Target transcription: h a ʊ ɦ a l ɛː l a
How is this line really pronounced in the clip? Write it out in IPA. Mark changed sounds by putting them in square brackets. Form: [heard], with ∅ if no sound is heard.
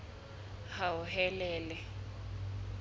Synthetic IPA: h a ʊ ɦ [ɛ] l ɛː l [ɛ]